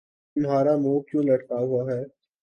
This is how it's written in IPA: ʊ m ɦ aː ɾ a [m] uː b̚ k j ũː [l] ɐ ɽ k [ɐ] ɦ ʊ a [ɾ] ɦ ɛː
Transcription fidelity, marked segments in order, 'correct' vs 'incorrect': correct, correct, incorrect, incorrect

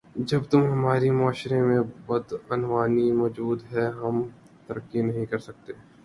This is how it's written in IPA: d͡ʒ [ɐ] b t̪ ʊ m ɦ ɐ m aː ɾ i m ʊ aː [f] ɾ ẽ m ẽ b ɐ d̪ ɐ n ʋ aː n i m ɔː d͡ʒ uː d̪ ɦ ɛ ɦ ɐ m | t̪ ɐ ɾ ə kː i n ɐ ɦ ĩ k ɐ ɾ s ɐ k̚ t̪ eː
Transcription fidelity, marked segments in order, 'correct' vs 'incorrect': correct, incorrect

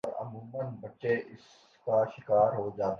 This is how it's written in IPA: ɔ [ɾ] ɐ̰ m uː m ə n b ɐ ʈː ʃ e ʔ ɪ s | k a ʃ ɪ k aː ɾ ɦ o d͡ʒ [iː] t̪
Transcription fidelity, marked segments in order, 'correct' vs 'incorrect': correct, incorrect

